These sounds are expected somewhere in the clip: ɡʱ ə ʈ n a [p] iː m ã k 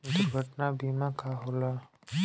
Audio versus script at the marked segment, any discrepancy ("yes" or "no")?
yes